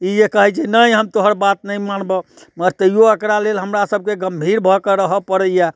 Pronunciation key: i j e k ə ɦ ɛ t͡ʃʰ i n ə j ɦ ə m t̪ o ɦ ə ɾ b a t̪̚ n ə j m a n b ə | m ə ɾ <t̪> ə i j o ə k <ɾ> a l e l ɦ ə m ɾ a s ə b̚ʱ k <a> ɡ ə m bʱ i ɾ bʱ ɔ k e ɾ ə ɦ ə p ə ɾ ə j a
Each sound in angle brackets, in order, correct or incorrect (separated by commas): correct, correct, incorrect